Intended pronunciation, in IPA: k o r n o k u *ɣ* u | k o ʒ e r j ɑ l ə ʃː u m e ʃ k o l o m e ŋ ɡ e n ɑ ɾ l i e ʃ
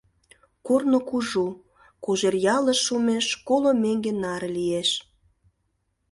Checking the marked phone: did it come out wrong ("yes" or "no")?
yes